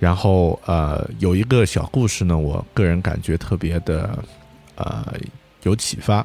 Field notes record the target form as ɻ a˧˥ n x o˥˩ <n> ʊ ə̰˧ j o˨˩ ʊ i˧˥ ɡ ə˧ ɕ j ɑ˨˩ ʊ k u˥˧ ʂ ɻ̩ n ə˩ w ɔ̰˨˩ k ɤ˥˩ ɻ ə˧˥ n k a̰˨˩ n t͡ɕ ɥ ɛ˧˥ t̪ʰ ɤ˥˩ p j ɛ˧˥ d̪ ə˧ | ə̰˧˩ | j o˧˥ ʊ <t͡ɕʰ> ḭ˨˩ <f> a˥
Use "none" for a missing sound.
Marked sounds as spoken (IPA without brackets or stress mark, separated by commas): none, t͡ɕʰ, f